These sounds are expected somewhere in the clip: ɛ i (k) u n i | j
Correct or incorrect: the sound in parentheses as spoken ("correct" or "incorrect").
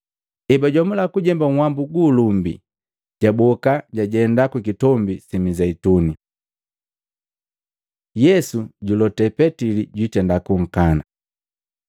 incorrect